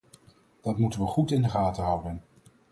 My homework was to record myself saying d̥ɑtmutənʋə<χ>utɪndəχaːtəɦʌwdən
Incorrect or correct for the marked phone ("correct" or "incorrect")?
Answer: correct